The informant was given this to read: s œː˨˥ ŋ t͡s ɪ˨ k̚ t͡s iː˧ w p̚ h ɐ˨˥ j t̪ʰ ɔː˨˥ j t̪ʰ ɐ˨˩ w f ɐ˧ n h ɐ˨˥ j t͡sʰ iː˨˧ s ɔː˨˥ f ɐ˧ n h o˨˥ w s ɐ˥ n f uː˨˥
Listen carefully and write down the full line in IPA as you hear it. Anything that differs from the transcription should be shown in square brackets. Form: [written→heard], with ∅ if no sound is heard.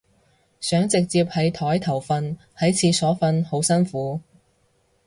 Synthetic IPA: s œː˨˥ ŋ t͡s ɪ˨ k̚ t͡s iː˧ [w→∅] p̚ h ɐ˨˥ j t̪ʰ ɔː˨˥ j t̪ʰ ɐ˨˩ w f ɐ˧ n h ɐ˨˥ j t͡sʰ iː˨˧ s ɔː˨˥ f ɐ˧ n h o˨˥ w s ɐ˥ n f uː˨˥